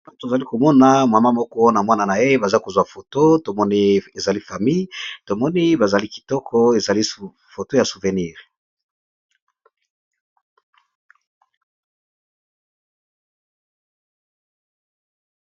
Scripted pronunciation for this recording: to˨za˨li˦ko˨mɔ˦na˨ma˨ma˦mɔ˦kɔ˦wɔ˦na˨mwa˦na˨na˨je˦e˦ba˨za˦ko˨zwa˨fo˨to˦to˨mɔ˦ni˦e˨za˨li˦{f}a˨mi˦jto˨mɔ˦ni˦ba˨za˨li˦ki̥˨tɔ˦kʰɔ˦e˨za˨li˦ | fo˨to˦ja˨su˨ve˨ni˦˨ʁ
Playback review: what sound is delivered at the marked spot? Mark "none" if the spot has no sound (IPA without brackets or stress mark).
f